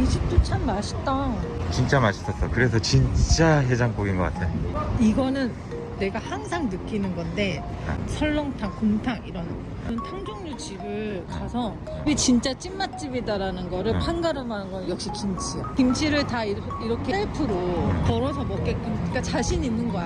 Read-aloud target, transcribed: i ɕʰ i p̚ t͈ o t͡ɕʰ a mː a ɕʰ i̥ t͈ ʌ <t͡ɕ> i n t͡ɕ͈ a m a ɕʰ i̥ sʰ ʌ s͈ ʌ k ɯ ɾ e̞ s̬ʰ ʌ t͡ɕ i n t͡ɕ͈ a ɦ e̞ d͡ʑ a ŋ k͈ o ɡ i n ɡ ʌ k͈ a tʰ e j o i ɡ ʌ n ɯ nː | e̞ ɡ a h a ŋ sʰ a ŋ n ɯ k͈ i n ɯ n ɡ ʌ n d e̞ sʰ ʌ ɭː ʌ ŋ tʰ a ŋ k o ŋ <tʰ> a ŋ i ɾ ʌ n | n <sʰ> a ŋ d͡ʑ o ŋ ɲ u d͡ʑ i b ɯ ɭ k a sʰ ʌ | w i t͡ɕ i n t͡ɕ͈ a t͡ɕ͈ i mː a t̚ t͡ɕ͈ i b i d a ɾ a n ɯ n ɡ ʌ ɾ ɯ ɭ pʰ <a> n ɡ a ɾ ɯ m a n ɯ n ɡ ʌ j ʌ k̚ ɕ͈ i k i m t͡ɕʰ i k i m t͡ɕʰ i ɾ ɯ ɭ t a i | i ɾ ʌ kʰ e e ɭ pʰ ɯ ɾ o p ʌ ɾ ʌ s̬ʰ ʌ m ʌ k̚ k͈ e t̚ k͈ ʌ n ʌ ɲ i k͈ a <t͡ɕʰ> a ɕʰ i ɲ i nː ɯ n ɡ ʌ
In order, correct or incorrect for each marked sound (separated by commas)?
correct, correct, incorrect, correct, incorrect